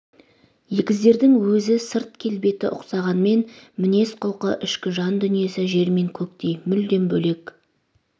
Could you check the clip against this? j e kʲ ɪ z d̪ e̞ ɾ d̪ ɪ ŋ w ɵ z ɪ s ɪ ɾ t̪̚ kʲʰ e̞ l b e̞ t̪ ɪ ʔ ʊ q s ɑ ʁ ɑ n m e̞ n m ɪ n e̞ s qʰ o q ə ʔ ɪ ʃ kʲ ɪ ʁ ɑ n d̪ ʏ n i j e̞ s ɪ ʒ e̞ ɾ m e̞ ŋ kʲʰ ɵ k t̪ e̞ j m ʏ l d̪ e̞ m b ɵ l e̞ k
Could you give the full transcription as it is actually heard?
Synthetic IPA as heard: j e kʲ ɪ z d̪ e̞ ɾ d̪ ɪ ŋ w ɵ z ɪ s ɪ ɾ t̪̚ kʲʰ e̞ l b e̞ t̪ ɪ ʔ ʊ q s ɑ ʁ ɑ n m e̞ n m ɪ n e̞ s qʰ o q ə ʔ ɪ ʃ kʲ ɪ ʒ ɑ n d̪ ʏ n i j e̞ s ɪ ʒ e̞ ɾ m e̞ ŋ kʲʰ ɵ k t̪ e̞ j m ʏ l d̪ e̞ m b ɵ l e̞ k

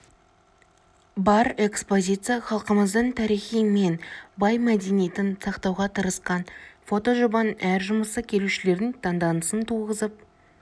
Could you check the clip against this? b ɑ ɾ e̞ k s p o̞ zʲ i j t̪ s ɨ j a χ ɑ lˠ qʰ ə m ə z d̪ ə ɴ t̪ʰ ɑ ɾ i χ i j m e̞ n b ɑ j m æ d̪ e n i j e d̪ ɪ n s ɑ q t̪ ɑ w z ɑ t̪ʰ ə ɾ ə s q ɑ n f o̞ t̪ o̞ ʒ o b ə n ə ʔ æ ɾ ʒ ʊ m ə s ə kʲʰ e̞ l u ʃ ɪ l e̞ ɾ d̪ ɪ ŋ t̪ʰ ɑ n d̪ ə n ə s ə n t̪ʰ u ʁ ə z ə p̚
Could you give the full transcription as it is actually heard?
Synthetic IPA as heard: b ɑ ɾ e̞ k s p o̞ zʲ i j t̪ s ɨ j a χ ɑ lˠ q ə m ə z d̪ ə ɴ t̪ʰ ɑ ɾ i χ i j m e̞ n b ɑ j m æ d̪ e n i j e t̪ ɪ n s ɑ q t̪ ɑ w ʁ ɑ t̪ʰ ə ɾ ə s q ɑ n f o̞ t̪ o̞ ʒ o b ɑ n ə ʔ æ ɾ ʒ ʊ m ə s ə kʲʰ e̞ l u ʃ ɪ l e̞ ɾ d̪ ɪ ŋ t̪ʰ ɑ n d̪ ɑ n ə s ə n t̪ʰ u ʁ ə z ə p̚

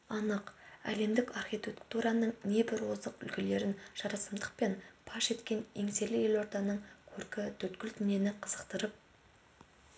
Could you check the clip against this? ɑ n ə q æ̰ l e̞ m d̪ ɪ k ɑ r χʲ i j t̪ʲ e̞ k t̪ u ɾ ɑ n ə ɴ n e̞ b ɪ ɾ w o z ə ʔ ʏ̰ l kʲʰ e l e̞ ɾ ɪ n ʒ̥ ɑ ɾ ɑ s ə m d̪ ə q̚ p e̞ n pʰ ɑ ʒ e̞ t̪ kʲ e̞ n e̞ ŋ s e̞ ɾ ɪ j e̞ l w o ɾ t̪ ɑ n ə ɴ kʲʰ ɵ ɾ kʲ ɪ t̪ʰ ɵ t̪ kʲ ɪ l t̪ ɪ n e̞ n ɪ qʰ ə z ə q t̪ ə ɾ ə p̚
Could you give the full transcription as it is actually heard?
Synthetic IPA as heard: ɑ n ə q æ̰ l e̞ m d̪ ɪ k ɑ r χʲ i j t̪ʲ e̞ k t̪ u ɾ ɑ n ə ɴ n e̞ b ɪ ɾ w o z ə q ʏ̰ l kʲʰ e l e̞ ɾ ɪ n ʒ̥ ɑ ɾ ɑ s ə m d̪ ə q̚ p e̞ n pʰ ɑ ʃ e̞ t̪ kʲ e̞ n e̞ ŋ s e̞ l ɪ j e̞ l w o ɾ t̪ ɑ n ə ɴ kʲʰ ɵ ɾ kʲ ɪ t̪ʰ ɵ t̪ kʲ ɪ l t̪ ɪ n e̞ n ɪ qʰ ə z ə q t̪ ə ɾ ə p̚

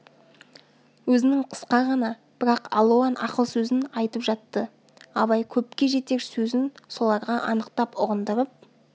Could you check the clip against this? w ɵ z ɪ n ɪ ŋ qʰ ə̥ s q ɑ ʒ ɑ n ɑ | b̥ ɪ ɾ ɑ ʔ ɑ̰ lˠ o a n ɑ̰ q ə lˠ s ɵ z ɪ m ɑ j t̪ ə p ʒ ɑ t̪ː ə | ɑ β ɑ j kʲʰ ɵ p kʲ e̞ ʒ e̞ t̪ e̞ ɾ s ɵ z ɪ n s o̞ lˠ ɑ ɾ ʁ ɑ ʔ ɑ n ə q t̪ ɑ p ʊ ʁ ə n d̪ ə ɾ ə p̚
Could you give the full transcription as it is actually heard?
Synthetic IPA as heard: w ɵ z ɪ n ɪ ŋ qʰ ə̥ s q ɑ ʁ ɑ n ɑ | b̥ ɪ ɾ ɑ q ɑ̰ lˠ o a n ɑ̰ q ə lˠ s ɵ z ɪ n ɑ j t̪ ə p ʒ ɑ t̪ː ə | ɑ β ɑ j kʲʰ ɵ p kʲ e̞ ʒ e̞ t̪ e̞ ɾ s ɵ z ɪ n s o̞ lˠ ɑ ɾ ʁ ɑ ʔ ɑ n ə q t̪ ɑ p ʊ ʁ ə n d̪ ə ɾ ə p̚

